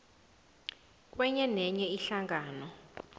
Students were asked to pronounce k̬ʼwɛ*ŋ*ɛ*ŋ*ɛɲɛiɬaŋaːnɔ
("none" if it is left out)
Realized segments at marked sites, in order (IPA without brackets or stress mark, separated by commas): ɲ, n